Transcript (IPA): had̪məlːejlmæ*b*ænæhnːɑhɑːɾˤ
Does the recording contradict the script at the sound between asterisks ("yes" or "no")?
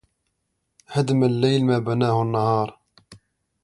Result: no